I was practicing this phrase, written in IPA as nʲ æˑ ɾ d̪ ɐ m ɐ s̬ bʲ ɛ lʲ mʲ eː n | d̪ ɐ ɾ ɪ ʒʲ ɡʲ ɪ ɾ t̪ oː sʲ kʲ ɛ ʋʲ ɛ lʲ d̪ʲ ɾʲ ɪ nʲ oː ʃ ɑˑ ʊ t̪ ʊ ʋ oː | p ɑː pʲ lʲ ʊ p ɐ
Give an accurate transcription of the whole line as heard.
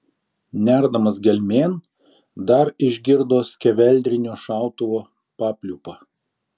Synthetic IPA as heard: nʲ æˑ ɾ d̪ ɐ m ɐ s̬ ɡʲ ɛ lʲ mʲ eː n | d̪ ɐ ɾ ɪ ʒʲ ɡʲ ɪ ɾ d̪ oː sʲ kʲ ɛ ʋʲ ɛ lʲ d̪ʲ ɾʲ ɪ nʲ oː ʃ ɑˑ ʊ t̪ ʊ ʋ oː | p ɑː pʲ lʲ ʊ p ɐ